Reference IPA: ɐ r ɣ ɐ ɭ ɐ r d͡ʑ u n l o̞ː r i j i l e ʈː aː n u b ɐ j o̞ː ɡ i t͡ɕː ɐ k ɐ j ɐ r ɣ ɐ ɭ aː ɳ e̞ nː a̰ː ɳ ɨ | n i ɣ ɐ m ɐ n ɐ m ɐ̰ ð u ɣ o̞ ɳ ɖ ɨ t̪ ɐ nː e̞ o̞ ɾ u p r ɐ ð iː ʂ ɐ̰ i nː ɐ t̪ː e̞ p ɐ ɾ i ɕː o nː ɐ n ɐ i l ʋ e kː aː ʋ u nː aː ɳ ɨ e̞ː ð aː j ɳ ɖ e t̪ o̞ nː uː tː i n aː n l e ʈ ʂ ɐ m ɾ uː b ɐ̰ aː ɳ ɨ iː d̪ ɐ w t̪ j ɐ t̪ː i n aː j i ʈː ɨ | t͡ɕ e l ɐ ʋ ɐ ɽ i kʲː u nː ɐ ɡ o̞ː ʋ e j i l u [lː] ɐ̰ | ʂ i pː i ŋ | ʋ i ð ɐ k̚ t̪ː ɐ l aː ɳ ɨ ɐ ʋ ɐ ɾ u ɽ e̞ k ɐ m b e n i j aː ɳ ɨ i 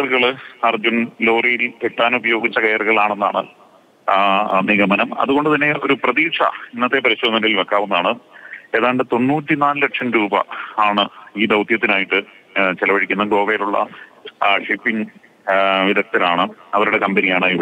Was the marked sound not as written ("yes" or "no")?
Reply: yes